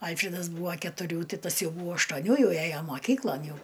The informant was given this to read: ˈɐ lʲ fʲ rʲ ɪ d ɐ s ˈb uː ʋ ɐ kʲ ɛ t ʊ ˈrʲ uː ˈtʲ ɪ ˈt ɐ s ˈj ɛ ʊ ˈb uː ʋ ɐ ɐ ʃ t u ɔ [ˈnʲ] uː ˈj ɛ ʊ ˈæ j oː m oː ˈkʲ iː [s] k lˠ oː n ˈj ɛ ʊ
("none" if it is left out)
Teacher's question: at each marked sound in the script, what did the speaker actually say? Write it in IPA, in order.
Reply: nʲ, none

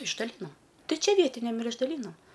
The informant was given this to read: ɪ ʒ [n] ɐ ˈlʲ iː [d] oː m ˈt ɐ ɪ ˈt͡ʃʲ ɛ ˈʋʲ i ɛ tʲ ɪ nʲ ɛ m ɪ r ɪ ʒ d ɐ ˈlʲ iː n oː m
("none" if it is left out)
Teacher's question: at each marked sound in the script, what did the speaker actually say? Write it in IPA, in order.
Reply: d, n

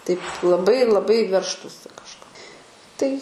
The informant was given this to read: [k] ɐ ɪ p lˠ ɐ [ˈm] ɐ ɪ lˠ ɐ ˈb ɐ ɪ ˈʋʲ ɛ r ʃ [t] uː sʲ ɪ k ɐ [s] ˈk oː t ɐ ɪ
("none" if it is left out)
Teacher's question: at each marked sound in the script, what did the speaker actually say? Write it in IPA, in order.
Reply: t, b, t, ʃ

